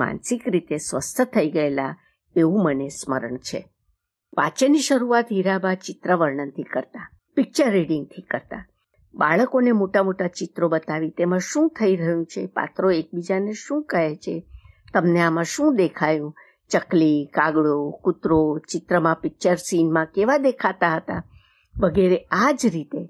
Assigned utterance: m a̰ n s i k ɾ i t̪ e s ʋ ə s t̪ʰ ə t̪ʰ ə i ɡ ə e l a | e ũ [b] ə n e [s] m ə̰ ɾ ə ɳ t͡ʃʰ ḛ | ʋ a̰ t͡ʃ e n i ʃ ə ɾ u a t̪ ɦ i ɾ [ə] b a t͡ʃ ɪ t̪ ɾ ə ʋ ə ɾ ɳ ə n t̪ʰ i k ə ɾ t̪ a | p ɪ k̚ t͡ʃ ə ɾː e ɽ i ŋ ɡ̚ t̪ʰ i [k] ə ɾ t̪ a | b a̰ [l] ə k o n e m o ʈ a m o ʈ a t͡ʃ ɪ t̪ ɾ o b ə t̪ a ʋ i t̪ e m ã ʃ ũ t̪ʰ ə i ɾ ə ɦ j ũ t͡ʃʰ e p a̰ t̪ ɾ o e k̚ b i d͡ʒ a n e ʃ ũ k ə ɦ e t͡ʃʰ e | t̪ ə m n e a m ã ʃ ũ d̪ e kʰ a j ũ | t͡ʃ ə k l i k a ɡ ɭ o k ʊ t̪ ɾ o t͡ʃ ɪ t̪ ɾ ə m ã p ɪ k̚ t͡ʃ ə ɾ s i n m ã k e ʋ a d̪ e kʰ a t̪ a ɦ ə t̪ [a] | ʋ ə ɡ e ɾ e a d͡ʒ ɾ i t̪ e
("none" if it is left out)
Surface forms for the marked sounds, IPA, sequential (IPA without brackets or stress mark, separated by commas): m, s, a, k, ɭ, a